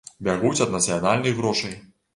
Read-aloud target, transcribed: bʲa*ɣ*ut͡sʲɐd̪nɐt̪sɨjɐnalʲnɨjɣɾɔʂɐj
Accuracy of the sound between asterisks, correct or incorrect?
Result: correct